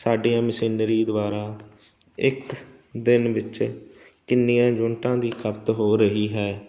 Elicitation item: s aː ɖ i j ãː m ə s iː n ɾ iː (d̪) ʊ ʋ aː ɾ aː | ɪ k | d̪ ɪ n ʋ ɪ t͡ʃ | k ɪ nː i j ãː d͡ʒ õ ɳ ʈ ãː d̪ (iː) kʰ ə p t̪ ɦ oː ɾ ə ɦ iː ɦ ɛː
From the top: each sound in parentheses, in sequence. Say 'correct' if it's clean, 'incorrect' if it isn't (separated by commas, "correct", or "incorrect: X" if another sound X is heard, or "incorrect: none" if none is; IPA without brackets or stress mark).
correct, correct